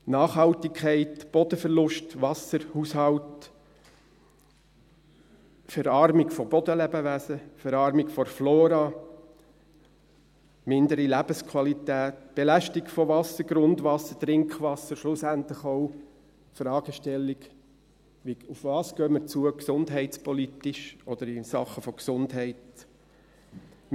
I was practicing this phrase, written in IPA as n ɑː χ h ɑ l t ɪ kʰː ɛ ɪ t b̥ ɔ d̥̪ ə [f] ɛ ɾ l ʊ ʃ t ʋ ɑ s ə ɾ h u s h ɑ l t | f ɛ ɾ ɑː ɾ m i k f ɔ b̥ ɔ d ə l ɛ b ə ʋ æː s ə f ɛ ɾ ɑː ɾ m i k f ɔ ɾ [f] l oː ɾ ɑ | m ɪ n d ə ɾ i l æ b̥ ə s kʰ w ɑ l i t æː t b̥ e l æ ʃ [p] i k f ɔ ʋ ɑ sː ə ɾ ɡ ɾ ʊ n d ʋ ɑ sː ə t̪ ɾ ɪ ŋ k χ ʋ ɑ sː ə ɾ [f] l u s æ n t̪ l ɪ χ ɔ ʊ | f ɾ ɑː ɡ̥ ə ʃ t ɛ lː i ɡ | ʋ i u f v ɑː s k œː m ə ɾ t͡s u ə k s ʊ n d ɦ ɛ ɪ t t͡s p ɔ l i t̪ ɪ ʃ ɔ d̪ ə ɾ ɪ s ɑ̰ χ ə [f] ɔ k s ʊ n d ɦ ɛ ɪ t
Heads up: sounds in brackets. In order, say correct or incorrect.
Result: correct, correct, incorrect: t, incorrect: ʃ, correct

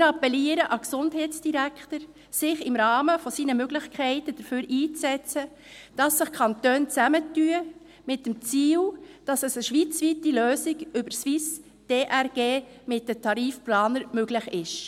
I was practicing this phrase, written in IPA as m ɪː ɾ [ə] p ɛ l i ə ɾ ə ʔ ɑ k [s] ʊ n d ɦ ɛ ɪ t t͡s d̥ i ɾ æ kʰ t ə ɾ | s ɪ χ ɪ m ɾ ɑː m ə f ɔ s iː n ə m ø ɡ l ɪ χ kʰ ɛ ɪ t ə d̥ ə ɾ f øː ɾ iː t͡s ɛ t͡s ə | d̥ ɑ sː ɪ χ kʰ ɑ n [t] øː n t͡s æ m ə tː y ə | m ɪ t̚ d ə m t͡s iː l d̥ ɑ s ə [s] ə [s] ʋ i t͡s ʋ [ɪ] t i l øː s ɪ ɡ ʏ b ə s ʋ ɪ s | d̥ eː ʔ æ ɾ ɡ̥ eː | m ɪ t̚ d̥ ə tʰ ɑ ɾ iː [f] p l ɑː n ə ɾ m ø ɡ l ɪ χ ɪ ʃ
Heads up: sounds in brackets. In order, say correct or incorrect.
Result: incorrect: ɑ, correct, correct, correct, incorrect: ʃ, incorrect: i, correct

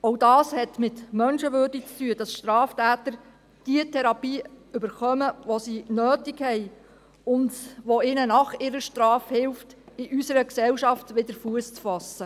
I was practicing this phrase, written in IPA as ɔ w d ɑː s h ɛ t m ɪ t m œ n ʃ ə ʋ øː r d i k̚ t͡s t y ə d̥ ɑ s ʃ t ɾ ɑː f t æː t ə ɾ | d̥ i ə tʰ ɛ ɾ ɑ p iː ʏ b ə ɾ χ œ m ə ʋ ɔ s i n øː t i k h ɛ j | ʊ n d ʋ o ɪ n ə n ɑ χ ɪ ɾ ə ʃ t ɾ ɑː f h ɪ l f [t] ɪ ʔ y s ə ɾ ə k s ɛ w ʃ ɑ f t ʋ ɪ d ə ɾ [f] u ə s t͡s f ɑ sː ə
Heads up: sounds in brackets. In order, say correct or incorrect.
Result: correct, correct

